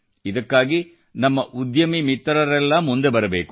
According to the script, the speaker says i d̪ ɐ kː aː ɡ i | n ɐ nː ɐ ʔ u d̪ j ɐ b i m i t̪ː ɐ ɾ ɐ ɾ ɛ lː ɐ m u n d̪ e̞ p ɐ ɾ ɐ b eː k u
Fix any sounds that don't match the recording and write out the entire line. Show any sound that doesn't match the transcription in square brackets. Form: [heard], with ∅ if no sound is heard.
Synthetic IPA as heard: i d̪ ɐ kː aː ɡ i | n ɐ [mː] ɐ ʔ u d̪ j ɐ [m] i m i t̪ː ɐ ɾ ɐ ɾ ɛ lː ɐ m u n d̪ e̞ [b] ɐ ɾ ɐ b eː k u